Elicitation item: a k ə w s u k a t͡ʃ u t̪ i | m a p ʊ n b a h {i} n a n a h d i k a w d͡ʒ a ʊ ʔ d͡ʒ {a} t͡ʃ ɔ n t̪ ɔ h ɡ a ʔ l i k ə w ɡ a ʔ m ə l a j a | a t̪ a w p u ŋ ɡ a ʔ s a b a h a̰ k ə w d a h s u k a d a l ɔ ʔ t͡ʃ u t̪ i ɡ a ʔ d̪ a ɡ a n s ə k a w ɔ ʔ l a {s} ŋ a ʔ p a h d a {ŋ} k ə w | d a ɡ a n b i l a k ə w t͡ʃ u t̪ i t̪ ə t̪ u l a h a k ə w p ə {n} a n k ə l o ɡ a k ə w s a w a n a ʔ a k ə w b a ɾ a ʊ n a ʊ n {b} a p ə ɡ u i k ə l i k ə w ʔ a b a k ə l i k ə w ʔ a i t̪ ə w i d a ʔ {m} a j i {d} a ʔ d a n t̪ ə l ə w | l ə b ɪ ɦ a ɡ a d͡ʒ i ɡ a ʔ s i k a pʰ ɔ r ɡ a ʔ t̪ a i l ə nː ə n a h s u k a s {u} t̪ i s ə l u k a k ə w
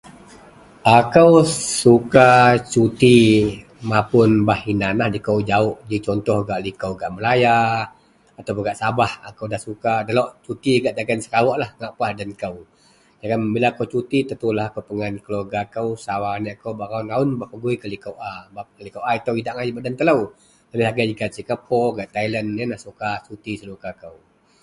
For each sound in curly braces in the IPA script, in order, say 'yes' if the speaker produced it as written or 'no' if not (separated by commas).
yes, no, no, no, no, yes, no, no, yes